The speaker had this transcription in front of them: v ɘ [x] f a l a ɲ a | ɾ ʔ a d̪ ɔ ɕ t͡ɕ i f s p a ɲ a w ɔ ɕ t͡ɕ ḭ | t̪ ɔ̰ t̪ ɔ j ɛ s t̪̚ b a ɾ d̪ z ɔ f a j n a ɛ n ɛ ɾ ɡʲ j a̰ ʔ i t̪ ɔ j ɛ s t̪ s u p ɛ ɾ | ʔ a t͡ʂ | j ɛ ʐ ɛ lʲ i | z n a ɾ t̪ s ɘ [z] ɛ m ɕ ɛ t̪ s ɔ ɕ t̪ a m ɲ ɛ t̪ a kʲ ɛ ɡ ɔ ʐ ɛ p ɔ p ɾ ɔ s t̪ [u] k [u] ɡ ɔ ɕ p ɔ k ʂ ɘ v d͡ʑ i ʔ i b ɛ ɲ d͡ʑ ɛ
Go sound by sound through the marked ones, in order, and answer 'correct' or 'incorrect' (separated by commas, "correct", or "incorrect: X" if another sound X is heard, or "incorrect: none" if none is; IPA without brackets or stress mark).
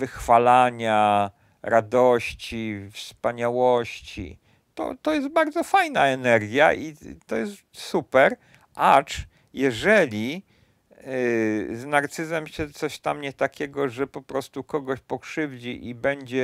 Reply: correct, correct, correct, incorrect: ɔ